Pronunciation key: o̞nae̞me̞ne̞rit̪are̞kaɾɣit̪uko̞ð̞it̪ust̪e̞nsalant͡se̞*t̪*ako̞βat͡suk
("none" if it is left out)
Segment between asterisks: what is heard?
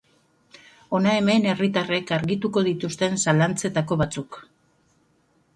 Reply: t̪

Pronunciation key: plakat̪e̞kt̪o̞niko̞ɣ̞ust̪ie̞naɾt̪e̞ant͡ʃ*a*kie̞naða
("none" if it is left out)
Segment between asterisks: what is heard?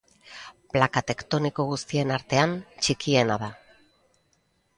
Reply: i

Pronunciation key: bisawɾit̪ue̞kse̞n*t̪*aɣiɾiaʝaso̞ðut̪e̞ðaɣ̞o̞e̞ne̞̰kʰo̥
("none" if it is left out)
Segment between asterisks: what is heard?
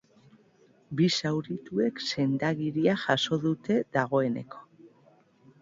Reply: d̪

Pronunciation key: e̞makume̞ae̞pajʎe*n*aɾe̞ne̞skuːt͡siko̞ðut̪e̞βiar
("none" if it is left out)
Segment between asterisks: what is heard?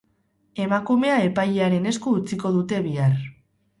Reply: none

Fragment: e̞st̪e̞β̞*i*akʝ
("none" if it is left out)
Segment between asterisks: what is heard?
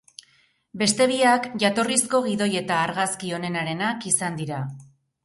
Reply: i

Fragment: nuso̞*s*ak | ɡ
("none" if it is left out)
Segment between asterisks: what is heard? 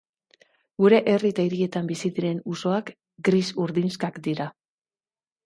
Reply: none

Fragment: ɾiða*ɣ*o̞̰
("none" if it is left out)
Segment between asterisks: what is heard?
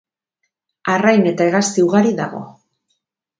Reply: ɣ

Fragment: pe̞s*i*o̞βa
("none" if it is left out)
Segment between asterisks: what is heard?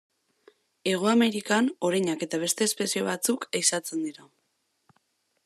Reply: i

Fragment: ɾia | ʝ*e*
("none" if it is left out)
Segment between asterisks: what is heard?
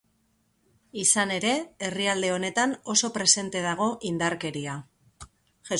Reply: e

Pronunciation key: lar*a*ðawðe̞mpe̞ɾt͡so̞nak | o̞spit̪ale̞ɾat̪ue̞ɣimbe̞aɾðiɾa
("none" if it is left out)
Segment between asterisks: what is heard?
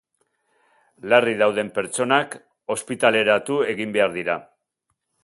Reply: i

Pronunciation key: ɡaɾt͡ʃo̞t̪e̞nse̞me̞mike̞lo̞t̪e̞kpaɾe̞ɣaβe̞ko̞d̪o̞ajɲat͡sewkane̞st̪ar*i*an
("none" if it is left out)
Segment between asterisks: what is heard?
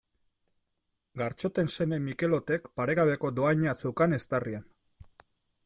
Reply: i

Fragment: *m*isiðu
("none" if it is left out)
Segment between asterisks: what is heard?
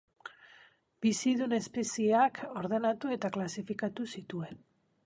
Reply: b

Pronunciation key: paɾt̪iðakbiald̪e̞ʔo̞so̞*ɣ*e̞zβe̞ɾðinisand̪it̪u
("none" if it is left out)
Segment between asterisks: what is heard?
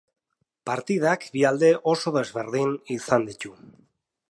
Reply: ð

